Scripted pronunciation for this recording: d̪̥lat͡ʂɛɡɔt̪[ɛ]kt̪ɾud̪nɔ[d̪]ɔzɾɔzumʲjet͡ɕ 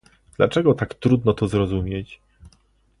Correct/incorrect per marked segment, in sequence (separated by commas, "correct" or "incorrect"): incorrect, incorrect